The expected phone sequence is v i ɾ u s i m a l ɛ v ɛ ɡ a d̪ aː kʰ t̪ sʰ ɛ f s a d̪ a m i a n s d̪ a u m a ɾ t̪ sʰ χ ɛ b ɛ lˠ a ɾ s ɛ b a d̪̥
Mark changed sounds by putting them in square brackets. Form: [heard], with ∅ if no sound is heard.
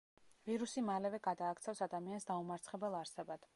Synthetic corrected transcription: v i ɾ u s i m a l ɛ v ɛ ɡ a d̪ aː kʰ t̪ sʰ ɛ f s a d̪ a m i a n s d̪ a u m a ɾ t̪ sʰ χ ɛ b ɛ lˠ a ɾ s ɛ b a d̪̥